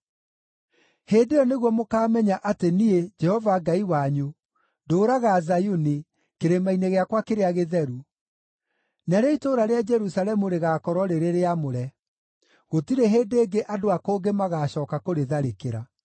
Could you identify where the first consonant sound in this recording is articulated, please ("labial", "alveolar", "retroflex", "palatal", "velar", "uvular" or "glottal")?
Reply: glottal